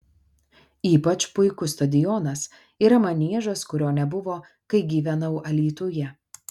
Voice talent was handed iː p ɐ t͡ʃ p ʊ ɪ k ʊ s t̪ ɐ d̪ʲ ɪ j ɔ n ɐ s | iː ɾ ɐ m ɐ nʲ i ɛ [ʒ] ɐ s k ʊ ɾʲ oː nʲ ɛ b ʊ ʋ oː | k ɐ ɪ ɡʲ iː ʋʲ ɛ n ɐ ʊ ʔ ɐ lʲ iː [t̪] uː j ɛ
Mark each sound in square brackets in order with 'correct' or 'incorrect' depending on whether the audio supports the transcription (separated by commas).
correct, correct